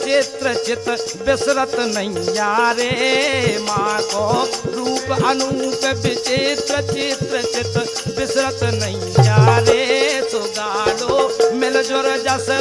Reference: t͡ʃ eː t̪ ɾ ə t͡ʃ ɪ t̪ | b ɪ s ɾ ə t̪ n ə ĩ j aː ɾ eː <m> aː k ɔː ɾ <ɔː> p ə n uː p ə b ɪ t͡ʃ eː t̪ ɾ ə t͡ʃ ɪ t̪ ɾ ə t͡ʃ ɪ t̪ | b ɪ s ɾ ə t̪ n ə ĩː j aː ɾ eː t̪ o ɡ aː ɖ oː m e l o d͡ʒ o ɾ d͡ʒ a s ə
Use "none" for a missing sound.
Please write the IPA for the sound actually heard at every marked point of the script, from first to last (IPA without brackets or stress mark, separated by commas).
m, uː